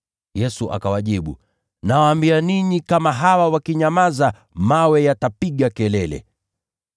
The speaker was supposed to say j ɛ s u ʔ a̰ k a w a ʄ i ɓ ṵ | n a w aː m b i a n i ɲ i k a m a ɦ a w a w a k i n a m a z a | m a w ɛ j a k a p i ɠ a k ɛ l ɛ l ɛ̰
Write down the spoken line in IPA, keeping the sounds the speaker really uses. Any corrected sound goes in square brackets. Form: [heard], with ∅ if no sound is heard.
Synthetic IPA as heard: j ɛ s u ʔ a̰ k a w a ʄ i ɓ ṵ | n a w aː m b i a n i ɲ i k a m a ɦ a w a w a k i [ɲ] a m a z a | m a w ɛ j a [t] a p i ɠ a k ɛ l ɛ l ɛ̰